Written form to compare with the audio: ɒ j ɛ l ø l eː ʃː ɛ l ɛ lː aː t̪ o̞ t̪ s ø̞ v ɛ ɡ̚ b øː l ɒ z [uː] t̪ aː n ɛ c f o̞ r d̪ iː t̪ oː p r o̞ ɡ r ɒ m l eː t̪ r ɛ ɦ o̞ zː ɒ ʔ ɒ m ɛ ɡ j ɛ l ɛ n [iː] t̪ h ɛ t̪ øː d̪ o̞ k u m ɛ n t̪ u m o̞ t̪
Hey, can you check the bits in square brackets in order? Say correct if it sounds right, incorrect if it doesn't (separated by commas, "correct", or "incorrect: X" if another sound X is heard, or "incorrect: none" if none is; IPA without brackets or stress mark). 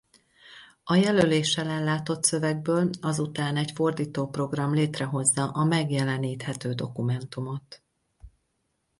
incorrect: u, correct